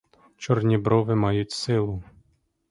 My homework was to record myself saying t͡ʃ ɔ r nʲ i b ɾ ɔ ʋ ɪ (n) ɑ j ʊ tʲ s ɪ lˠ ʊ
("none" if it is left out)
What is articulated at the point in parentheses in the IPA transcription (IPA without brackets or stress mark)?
m